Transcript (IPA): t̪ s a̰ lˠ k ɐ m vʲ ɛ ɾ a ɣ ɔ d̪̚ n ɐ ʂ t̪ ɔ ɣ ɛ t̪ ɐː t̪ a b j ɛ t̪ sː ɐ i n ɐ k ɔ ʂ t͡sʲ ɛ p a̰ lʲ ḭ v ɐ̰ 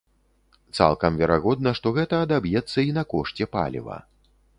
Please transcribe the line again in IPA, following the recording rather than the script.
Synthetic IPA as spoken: t̪ s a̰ lˠ k ɐ m vʲ ɛ ɾ a ɣ ɔ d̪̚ n ɐ ʂ t̪ ɔ ɣ ɛ t̪ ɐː d̪ a b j ɛ t̪ sː ɐ i n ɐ k ɔ ʂ t͡sʲ ɛ p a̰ lʲ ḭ v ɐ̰